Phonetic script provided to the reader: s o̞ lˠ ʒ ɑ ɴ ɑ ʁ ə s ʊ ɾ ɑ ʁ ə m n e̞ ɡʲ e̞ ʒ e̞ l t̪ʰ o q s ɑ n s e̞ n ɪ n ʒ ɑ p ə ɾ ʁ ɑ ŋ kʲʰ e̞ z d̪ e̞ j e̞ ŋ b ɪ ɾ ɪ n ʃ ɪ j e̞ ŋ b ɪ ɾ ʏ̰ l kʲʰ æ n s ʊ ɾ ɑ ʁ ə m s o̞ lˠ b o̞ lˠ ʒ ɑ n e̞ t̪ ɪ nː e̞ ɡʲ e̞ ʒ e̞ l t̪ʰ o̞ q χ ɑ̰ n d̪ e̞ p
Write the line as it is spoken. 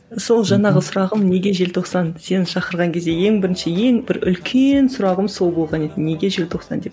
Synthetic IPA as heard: s o̞ lˠ ʒ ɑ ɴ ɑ ʁ ə s ʊ ɾ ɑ ʁ ə m n e̞ ɡʲ e̞ ʒ e̞ l t̪ʰ o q s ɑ n s e̞ n ɪ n ʃ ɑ q ə ɾ ʁ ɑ ŋ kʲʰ e̞ z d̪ e̞ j e̞ ŋ b ɪ ɾ ɪ n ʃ ɪ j e̞ ŋ b ɪ ɾ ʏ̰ l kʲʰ e n s ʊ ɾ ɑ ʁ ə m s o̞ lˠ b o̞ lˠ ʁ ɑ n e̞ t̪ ɪ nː e̞ ɡʲ e̞ ʒ e̞ l t̪ʰ o̞ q s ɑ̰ n d̪ e̞ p